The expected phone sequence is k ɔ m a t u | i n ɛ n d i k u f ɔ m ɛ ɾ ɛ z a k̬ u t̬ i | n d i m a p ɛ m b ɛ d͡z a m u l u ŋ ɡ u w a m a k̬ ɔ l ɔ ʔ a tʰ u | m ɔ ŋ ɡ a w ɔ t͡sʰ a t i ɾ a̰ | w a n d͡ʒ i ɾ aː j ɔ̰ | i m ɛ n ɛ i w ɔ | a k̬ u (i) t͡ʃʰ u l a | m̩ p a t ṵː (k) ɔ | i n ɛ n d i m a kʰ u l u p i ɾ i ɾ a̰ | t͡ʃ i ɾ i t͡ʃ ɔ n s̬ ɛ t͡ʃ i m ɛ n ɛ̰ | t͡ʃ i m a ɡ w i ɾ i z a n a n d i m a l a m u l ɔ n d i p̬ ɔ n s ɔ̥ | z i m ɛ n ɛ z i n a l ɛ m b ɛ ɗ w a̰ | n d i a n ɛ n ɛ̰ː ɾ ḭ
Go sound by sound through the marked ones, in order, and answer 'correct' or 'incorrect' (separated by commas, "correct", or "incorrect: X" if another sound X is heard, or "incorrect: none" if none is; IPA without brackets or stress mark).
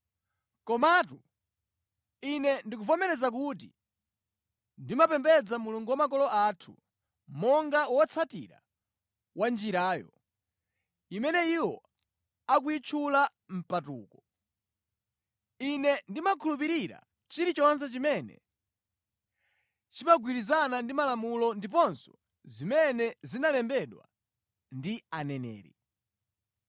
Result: correct, correct